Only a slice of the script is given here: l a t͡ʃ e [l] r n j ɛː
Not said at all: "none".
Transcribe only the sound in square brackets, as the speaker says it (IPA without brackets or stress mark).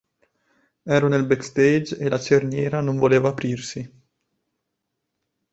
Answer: none